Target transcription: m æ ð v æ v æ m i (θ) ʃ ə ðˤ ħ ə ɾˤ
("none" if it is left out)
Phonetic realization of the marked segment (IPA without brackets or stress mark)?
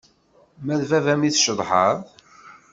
θ